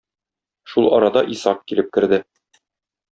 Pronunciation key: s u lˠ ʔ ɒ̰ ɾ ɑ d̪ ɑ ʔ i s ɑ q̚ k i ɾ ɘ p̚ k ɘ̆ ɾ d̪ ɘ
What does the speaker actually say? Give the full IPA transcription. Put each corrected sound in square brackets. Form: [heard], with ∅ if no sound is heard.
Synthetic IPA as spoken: [ʃ] u lˠ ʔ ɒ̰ ɾ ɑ d̪ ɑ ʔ i s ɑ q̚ k i [l] ɘ p̚ k ɘ̆ ɾ d̪ ɘ